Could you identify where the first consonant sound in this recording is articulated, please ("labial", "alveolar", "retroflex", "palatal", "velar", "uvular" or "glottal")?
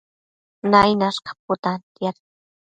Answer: alveolar